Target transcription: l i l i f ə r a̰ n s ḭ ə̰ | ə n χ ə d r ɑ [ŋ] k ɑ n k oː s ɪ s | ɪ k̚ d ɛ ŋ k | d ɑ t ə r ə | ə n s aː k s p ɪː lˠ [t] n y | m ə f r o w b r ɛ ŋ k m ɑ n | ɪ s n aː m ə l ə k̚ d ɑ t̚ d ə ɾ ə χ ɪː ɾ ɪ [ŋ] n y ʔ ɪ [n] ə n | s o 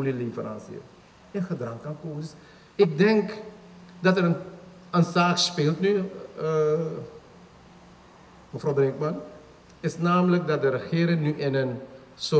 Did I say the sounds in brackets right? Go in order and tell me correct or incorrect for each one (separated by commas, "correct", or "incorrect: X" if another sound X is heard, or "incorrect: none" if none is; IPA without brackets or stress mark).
correct, correct, correct, correct